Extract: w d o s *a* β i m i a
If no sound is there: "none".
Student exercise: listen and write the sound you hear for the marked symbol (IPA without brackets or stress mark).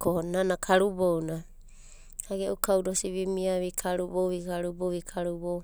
i